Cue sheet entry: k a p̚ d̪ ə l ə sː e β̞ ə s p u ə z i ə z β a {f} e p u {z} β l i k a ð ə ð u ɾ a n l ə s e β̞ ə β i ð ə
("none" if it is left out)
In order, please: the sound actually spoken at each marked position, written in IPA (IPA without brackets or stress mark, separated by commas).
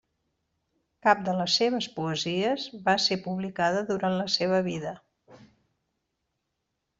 s, none